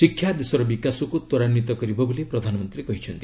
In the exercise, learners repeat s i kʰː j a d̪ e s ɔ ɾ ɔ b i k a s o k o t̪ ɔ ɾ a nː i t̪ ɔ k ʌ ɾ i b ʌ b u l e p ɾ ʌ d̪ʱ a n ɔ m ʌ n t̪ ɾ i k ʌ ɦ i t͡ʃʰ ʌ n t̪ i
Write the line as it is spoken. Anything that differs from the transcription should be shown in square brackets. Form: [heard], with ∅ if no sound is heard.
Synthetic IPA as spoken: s i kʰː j a d̪ e s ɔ ɾ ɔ b i k a s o k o t̪ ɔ ɾ a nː i t̪ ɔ k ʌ ɾ i b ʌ b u l e p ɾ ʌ d̪ʱ a n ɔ m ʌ n t̪ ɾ i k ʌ ɦ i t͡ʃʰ ʌ n t̪ i